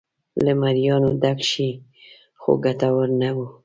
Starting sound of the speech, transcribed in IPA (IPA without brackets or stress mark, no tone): l